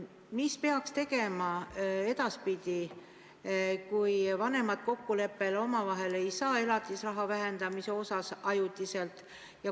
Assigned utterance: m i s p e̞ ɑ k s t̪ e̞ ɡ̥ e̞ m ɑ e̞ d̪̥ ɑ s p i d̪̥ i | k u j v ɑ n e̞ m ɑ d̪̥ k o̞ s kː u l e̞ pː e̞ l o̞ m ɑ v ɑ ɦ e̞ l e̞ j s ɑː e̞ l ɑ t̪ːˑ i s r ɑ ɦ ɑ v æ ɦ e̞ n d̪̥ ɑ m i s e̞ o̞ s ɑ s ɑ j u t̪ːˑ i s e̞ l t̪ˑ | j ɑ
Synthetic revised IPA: m i s p e̞ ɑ k s t̪ e̞ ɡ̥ e̞ m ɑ e̞ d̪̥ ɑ s p i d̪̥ i | k u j v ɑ n e̞ m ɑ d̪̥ k o̞ kː u l e̞ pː e̞ l o̞ m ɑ v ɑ ɦ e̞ l e̞ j s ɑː e̞ l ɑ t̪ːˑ i s r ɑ ɦ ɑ v æ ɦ e̞ n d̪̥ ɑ m i s e̞ o̞ s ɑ s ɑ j u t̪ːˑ i s e̞ l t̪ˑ | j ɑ

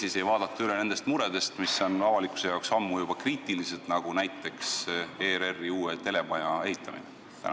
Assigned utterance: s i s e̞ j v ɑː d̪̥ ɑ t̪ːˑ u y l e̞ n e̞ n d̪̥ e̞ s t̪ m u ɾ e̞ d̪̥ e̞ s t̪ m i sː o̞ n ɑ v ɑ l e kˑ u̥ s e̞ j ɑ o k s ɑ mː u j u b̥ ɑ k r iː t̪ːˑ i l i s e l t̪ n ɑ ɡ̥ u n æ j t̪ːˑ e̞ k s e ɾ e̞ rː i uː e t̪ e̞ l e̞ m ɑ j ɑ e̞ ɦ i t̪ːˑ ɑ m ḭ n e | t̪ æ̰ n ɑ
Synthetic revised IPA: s i s e̞ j v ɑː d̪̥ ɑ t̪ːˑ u y l e̞ n e̞ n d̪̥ e̞ s t̪ m u ɾ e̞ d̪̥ e̞ s t̪ m i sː o̞ n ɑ v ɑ l i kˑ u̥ s e̞ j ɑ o k s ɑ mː u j u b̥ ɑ k r iː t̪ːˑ i l i s e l t̪ n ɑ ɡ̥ u n æ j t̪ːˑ e̞ k s e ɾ e̞ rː i uː e t̪ e̞ l e̞ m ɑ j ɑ e̞ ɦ i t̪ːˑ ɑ m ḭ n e | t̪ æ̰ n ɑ

